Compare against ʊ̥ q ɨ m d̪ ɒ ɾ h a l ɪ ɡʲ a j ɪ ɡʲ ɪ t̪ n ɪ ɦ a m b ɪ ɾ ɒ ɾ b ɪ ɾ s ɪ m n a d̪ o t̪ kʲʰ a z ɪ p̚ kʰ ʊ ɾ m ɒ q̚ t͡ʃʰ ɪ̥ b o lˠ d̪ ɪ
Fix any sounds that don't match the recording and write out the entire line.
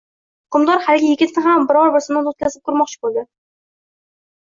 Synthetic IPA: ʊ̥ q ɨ m d̪ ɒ ɾ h a l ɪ ɡʲ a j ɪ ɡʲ ɪ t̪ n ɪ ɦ a m b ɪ ɾ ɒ ɾ b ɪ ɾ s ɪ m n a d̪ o t̪ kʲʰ a z ɪ p̚ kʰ ʊ ɾ m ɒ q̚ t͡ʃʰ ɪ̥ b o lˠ d̪ ɪ